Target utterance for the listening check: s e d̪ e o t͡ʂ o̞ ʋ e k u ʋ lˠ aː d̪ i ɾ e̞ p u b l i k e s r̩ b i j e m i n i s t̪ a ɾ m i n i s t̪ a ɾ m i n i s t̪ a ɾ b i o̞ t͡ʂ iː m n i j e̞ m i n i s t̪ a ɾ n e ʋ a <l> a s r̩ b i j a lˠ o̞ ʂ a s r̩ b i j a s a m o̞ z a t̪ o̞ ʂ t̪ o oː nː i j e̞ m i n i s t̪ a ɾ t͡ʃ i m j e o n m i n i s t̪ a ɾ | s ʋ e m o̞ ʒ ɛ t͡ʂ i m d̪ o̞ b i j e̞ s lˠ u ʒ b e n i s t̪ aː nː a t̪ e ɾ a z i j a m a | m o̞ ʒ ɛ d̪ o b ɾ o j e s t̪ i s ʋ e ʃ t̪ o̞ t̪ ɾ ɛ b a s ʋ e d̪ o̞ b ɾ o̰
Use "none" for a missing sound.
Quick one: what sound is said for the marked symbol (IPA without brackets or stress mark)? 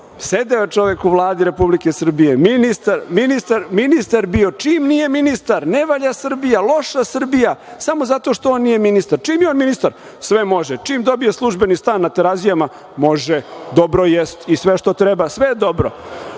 ʎ